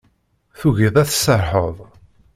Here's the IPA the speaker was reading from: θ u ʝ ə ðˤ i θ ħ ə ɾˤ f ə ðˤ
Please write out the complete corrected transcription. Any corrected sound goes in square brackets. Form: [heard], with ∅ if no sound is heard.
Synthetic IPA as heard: θ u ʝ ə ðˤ [æ] θ [s] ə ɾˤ [ħ] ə ðˤ